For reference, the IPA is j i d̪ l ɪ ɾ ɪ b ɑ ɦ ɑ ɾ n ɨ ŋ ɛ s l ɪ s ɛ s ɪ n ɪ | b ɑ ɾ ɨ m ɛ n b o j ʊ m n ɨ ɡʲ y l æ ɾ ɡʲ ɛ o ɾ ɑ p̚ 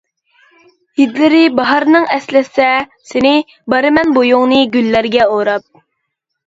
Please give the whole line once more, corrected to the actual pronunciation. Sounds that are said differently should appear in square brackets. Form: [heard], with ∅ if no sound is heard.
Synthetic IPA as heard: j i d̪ l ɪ ɾ ɪ b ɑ ɦ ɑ ɾ n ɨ ŋ ɛ s l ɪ s ɛ s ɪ n ɪ | b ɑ ɾ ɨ m ɛ n b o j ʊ [ŋ] n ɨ ɡʲ y [lː] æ ɾ ɡʲ ɛ o ɾ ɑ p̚